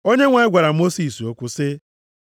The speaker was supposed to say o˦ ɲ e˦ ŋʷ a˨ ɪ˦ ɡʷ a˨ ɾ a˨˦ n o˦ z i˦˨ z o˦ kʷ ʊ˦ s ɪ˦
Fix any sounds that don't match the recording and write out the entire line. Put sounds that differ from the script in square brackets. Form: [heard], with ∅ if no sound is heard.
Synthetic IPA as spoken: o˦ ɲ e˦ ŋʷ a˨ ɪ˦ ɡʷ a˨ ɾ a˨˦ [m] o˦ [s] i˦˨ [s] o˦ kʷ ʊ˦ s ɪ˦

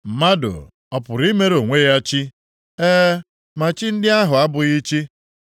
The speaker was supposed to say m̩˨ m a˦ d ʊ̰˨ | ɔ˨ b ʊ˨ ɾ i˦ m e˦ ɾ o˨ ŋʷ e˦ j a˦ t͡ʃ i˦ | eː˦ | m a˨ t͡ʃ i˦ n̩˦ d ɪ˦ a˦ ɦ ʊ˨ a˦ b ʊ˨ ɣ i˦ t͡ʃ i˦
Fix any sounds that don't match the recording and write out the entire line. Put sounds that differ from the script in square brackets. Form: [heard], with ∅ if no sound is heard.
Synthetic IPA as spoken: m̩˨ m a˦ d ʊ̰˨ | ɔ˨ [p] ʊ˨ ɾ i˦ m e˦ ɾ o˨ ŋʷ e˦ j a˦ t͡ʃ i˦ | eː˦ | m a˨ t͡ʃ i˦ n̩˦ d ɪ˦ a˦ ɦ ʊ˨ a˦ b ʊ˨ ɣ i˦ t͡ʃ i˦

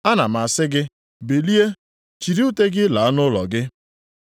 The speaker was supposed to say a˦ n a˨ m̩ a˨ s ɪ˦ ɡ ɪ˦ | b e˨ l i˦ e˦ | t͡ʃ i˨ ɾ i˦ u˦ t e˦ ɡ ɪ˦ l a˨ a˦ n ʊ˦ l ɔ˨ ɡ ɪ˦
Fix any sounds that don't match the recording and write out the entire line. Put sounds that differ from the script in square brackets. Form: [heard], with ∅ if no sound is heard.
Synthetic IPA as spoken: a˦ n a˨ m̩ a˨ s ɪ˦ ɡ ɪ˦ | b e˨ l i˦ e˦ | t͡ʃ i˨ ɾ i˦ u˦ t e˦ ɡ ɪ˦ l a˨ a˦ n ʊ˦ l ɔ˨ ɡ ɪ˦

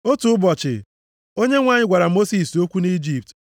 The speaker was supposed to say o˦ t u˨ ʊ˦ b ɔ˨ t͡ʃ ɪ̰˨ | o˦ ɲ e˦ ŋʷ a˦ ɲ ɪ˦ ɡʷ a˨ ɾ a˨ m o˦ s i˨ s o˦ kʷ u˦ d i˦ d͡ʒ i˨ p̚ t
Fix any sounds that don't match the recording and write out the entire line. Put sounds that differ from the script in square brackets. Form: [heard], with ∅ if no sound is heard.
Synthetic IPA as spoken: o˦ t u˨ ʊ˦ b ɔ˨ t͡ʃ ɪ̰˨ | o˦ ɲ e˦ ŋʷ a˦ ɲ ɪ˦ ɡʷ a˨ ɾ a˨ m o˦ s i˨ s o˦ kʷ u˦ [n] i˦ d͡ʒ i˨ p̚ t

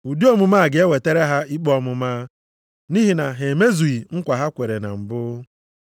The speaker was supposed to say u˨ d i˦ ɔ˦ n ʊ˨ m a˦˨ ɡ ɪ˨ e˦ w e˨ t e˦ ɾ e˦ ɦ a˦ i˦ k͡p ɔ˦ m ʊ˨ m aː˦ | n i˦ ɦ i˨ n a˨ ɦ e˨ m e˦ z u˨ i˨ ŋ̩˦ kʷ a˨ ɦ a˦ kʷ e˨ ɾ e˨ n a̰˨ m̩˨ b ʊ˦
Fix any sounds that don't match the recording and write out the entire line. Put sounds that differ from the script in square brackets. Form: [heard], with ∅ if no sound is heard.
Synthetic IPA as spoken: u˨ d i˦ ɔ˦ [m] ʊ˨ m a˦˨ ɡ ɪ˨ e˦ w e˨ t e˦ ɾ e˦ ɦ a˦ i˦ k͡p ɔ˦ m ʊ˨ m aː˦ | n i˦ ɦ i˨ n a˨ ɦ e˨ m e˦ z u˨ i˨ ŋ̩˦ kʷ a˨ ɦ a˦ kʷ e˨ ɾ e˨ n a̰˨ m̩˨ b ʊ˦

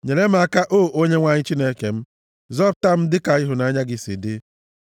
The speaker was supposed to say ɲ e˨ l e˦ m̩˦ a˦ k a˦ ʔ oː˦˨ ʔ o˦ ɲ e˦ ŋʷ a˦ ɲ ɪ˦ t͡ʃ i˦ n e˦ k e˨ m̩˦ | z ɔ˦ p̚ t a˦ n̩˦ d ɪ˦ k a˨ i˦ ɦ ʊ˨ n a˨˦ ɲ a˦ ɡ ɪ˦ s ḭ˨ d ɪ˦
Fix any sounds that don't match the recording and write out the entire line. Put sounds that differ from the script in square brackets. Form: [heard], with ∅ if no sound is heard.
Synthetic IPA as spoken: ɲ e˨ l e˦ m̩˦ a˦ k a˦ ʔ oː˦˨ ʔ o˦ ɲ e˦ ŋʷ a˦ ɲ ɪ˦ t͡ʃ i˦ n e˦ k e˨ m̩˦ | z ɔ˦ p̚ t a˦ [m̩˦] d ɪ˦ k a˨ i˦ ɦ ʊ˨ n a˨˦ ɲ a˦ ɡ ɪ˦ s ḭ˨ d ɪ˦

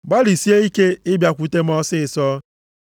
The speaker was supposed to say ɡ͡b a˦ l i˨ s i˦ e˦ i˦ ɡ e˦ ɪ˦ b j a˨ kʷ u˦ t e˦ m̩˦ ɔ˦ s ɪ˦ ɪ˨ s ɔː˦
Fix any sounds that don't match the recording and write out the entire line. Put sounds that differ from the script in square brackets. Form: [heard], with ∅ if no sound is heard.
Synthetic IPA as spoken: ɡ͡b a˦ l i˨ s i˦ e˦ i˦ [k] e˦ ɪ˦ b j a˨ kʷ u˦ t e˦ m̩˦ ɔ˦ s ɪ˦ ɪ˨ s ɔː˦

